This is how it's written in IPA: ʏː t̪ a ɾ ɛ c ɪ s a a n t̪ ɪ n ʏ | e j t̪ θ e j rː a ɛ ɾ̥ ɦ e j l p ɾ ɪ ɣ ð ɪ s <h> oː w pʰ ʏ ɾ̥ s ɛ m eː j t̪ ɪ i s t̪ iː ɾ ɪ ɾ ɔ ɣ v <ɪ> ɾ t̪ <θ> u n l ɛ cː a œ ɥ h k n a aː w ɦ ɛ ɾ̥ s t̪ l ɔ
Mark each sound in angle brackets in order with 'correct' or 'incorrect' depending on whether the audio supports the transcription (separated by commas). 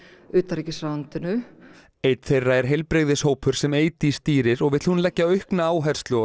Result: correct, correct, incorrect